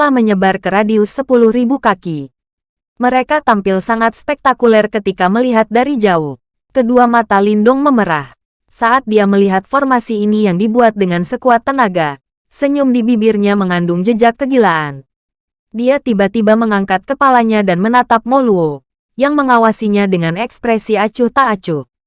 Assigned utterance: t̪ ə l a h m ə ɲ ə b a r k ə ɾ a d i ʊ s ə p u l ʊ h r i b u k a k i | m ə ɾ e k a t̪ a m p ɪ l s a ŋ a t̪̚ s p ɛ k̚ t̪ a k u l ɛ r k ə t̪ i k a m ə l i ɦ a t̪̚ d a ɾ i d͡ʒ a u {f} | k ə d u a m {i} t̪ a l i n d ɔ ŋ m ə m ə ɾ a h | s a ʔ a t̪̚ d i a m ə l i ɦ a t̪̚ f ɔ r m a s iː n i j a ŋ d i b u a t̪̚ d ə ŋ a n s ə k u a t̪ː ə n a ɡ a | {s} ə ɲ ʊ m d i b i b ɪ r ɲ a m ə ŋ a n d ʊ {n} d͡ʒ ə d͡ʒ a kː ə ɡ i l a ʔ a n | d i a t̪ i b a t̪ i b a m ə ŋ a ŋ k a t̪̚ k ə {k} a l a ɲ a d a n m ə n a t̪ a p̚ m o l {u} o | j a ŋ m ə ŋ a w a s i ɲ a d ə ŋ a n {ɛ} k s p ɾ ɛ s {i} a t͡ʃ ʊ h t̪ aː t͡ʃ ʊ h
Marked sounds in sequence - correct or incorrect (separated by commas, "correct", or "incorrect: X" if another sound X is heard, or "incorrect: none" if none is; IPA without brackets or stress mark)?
incorrect: h, incorrect: a, correct, incorrect: ŋ, incorrect: p, correct, correct, correct